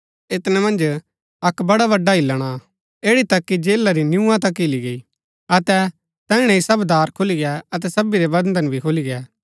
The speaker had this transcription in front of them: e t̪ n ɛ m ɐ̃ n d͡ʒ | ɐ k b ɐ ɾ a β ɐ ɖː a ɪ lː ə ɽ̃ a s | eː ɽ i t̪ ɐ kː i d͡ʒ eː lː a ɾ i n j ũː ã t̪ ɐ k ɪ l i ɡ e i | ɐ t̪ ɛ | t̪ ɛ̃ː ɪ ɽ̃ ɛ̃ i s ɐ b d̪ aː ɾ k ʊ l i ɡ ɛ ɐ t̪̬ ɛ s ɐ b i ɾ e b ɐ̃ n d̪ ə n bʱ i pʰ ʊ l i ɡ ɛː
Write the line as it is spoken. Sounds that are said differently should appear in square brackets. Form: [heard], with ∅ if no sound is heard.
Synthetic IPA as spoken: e t̪ n ɛ m ɐ̃ n d͡ʒ | ɐ k b ɐ [ɽ] a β ɐ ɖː a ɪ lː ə ɽ̃ a [∅] | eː ɽ i t̪ ɐ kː i d͡ʒ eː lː a ɾ i n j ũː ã t̪ ɐ k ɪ l i ɡ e i | ɐ t̪ ɛ | t̪ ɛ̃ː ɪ ɽ̃ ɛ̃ i s ɐ b d̪ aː ɾ [kʰ] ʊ l i ɡ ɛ ɐ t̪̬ ɛ s ɐ b i ɾ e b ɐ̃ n d̪ ə n bʱ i [kʰ] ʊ l i ɡ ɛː

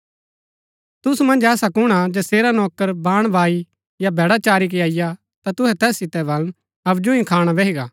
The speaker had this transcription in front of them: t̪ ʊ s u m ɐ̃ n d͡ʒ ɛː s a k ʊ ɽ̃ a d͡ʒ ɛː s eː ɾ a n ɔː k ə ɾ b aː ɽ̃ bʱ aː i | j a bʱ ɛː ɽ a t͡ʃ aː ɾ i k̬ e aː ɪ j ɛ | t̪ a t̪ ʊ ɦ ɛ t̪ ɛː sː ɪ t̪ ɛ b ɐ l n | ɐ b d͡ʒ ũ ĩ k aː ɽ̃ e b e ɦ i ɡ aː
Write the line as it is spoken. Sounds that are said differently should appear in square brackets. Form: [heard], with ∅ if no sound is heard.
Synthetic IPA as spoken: t̪ ʊ s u m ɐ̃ n d͡ʒ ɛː s a k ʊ ɽ̃ a d͡ʒ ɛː s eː ɾ a n ɔː k ə ɾ b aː ɽ̃ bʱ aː i | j a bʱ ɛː ɽ a t͡ʃ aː ɾ i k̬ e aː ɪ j [a] | t̪ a t̪ ʊ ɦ ɛ t̪ ɛː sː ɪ t̪ ɛ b ɐ l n | ɐ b d͡ʒ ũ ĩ [kʰ] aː ɽ̃ [a] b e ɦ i ɡ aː

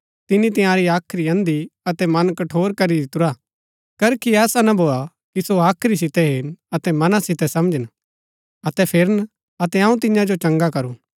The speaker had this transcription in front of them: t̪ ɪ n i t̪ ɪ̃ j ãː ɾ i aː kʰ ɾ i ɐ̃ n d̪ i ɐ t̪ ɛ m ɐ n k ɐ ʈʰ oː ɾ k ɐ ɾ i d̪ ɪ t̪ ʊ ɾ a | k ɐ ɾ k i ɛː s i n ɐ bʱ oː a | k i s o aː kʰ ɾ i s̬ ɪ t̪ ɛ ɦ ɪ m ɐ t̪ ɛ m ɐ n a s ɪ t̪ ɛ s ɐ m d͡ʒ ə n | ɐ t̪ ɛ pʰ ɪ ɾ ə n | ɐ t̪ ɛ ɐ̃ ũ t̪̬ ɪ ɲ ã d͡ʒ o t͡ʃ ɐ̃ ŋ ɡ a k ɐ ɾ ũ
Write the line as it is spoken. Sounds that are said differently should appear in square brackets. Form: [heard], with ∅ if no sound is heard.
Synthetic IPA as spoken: t̪ ɪ n i t̪ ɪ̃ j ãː ɾ i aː kʰ ɾ i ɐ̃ n d̪ i ɐ t̪ ɛ m ɐ n k ɐ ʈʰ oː ɾ k ɐ ɾ i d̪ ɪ t̪ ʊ ɾ a | k ɐ ɾ k i ɛː s [a] n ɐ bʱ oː a | k i s o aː kʰ ɾ i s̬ ɪ t̪ ɛ ɦ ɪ [n] ɐ t̪ ɛ m ɐ n a s ɪ t̪ ɛ s ɐ m d͡ʒ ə n | ɐ t̪ ɛ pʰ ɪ ɾ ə n | ɐ t̪ ɛ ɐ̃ ũ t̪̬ ɪ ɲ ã d͡ʒ o t͡ʃ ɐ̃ ŋ ɡ a k ɐ ɾ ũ

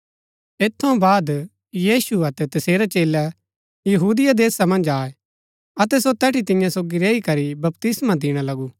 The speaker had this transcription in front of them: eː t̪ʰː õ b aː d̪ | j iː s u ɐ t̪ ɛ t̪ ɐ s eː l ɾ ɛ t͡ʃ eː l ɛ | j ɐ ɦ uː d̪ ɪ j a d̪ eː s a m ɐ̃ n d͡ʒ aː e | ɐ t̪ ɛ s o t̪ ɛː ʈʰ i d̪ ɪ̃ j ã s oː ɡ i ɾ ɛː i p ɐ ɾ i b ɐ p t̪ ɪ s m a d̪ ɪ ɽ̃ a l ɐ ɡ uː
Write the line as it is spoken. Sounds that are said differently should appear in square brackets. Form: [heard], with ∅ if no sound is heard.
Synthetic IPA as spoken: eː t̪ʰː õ b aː d̪ | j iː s u ɐ t̪ ɛ t̪ ɐ s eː [∅] ɾ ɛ t͡ʃ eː l ɛ | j ɐ ɦ uː d̪ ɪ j a d̪ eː s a m ɐ̃ n d͡ʒ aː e | ɐ t̪ ɛ s o t̪ ɛː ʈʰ i [t̪] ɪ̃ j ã s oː ɡ i ɾ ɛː i [k] ɐ ɾ i b ɐ p t̪ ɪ s m a d̪ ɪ ɽ̃ a l ɐ ɡ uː

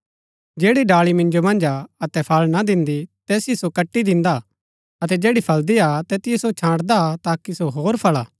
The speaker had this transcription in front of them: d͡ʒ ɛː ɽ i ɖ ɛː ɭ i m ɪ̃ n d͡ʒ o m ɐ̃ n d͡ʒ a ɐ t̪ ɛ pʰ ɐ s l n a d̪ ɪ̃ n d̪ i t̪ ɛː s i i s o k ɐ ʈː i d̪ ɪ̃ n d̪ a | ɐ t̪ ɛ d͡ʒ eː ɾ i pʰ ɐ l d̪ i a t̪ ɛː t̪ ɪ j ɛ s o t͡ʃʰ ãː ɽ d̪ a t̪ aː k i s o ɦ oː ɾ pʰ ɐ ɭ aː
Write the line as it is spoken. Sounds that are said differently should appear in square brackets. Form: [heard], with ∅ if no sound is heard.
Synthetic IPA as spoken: d͡ʒ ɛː ɽ i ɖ [aː] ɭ i m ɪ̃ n d͡ʒ o m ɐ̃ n d͡ʒ a ɐ t̪ ɛ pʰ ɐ [∅] l n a d̪ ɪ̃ n d̪ i t̪ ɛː s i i s o k ɐ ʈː i d̪ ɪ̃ n d̪ a | ɐ t̪ ɛ d͡ʒ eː [ɽ] i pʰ ɐ l d̪ i a t̪ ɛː t̪ ɪ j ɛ s o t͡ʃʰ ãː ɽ d̪ a t̪ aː k i s o ɦ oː ɾ pʰ ɐ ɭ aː

